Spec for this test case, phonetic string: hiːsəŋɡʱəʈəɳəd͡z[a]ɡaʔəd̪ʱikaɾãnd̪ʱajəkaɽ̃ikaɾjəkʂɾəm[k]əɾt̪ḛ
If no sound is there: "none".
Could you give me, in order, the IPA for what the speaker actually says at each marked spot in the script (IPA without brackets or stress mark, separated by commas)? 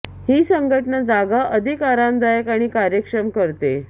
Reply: a, k